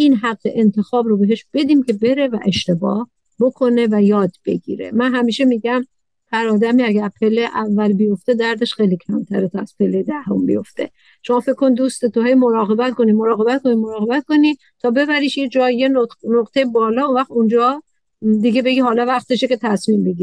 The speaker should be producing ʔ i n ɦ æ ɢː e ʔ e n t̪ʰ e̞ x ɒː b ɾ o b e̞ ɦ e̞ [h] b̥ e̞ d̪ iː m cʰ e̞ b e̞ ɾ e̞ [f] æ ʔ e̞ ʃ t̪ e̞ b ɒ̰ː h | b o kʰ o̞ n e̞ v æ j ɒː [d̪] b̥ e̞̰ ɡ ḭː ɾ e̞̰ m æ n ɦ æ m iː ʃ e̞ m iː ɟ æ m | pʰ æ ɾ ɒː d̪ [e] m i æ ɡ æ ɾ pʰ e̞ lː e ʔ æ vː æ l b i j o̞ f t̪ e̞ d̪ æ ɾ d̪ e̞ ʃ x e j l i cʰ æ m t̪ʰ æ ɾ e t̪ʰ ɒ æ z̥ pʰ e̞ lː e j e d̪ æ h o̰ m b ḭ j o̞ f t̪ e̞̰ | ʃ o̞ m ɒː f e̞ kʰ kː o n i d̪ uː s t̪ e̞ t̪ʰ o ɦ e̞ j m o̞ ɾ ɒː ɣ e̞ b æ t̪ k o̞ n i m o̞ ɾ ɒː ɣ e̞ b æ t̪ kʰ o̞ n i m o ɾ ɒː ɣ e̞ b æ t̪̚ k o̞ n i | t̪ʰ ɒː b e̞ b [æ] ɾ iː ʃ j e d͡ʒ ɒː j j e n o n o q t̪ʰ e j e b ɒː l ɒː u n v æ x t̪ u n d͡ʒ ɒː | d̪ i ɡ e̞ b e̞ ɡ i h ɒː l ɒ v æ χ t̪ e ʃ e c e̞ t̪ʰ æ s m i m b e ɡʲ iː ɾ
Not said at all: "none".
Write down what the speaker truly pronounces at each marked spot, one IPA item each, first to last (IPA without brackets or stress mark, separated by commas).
ʃ, v, d̪, æ, æ